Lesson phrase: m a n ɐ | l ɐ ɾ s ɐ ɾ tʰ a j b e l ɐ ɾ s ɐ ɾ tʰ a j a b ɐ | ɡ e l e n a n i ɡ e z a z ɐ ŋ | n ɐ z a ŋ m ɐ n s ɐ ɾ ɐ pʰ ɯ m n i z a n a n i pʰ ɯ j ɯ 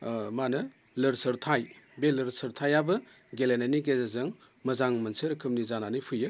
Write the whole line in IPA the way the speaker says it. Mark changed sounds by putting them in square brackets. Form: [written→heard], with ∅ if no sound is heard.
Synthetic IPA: m a n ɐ | l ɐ ɾ s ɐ ɾ tʰ a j b e l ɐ ɾ s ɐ ɾ tʰ a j a b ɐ | ɡ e l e n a n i ɡ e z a z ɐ ŋ | [n→m] ɐ z a ŋ m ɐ n s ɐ ɾ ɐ [pʰ→kʰ] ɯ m n i z a n a n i pʰ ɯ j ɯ